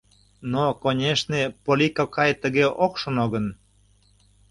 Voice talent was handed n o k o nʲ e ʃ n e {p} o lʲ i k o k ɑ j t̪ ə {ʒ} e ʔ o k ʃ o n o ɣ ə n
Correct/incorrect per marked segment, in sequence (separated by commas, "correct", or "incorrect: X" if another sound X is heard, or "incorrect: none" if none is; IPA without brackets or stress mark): correct, incorrect: ɣ